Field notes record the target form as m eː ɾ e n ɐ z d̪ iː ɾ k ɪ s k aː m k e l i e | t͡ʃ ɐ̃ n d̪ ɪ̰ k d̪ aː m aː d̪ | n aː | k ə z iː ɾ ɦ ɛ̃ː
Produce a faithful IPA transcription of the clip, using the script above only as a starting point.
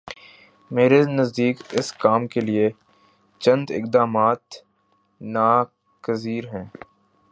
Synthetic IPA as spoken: m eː ɾ e n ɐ z d̪ iː k ɪ s k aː m k e l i e | t͡ʃ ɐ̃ n d̪ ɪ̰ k d̪ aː m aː t̪ | n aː | k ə z iː ɾ ɦ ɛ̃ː